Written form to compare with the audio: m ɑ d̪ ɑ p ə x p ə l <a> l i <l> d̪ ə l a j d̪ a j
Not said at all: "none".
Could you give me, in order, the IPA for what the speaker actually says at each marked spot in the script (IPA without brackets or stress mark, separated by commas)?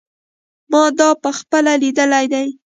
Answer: a, none